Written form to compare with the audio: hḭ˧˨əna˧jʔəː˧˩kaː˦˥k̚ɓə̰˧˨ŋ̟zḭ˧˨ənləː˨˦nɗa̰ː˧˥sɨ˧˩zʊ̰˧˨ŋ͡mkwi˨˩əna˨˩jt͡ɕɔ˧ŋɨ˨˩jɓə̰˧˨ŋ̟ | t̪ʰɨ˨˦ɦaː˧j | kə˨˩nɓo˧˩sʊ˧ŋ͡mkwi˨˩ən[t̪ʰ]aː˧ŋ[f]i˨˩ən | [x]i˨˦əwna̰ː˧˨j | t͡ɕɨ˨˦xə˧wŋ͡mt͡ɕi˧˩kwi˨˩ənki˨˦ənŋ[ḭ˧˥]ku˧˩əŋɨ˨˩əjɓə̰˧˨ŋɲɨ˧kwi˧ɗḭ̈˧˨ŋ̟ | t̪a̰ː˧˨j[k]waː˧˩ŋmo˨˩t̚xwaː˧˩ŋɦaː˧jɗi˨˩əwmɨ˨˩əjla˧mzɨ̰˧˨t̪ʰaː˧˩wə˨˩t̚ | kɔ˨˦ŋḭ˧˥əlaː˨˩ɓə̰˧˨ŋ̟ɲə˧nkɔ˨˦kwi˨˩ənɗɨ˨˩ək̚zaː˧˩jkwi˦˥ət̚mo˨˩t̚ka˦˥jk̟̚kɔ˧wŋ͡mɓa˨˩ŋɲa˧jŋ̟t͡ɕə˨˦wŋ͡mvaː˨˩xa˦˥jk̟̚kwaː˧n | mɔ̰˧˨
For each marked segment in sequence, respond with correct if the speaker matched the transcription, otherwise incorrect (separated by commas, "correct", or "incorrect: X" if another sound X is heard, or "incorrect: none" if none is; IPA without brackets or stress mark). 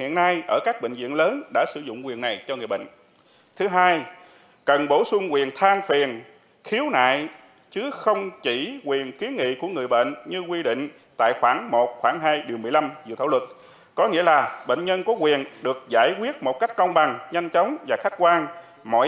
correct, correct, correct, incorrect: ḭ˧˨, incorrect: x